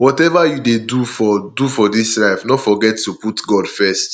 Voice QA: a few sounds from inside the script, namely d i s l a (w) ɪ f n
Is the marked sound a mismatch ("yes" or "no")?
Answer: yes